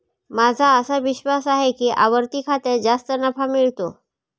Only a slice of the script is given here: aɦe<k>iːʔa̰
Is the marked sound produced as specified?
yes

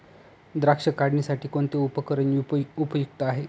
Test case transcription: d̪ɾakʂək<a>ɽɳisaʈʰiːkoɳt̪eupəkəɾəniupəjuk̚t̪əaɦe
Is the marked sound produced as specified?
yes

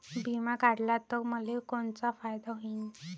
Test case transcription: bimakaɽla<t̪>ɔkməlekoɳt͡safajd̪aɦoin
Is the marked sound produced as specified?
yes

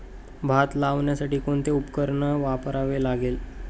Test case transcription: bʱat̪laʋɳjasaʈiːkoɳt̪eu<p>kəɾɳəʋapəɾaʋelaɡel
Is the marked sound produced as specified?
yes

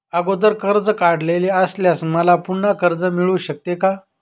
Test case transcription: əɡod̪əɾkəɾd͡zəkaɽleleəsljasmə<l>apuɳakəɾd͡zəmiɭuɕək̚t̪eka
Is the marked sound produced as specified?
yes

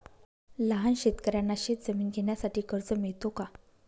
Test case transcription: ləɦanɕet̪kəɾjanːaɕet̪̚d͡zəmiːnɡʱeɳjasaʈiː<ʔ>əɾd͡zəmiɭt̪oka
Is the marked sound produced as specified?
no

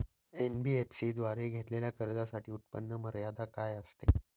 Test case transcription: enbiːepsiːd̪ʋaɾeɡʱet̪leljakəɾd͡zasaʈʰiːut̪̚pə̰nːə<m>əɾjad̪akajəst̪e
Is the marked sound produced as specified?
yes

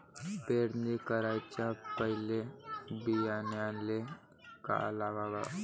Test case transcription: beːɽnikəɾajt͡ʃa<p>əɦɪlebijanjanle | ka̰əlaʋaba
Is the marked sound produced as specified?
yes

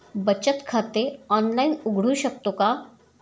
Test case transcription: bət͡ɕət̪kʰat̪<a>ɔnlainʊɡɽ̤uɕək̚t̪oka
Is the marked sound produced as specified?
no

